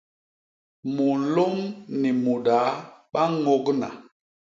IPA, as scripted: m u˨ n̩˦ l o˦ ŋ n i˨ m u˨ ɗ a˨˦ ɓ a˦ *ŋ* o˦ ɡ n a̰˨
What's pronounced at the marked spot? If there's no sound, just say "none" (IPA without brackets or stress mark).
ŋ